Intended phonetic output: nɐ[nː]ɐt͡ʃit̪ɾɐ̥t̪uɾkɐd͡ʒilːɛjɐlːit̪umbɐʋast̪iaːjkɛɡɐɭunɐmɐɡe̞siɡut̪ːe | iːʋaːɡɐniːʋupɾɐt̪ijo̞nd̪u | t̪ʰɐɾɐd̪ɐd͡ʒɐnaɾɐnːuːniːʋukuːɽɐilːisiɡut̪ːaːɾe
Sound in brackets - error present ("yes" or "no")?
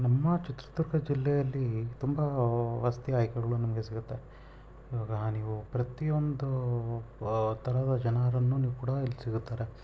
yes